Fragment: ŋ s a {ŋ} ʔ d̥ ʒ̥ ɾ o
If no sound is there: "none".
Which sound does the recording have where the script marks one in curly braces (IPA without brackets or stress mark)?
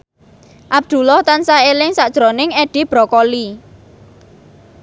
none